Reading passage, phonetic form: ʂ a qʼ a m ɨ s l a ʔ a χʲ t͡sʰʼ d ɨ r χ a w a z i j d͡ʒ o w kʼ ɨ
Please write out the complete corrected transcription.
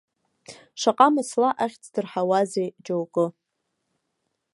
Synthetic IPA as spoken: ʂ a qʼ a m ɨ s l a ʔ a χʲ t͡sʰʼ d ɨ r ħ a w a z e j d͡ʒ o w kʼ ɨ